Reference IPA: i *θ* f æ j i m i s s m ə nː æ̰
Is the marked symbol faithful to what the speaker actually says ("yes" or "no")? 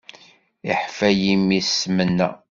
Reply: no